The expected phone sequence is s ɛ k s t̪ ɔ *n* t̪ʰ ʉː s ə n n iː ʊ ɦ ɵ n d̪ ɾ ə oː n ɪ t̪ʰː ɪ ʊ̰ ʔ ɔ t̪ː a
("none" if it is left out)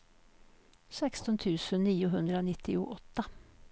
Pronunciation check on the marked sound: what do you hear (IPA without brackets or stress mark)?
n